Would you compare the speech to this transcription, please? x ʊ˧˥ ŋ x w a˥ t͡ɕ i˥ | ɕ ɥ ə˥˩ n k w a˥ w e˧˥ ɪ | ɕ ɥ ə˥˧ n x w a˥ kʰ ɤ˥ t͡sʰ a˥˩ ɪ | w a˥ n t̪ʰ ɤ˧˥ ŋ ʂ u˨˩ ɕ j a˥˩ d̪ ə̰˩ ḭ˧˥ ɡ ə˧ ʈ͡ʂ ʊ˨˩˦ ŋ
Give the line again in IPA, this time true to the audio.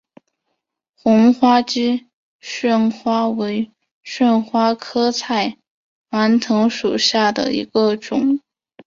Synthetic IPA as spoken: x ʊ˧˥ ŋ x w a˥ t͡ɕ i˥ | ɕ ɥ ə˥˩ n x w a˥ w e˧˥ ɪ | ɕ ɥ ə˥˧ n x w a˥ kʰ ɤ˥ t͡sʰ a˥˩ ɪ | w a˧˥ n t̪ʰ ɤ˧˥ ŋ ʂ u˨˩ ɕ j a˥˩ d̪ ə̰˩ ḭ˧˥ ɡ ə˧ ʈ͡ʂ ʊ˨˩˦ ŋ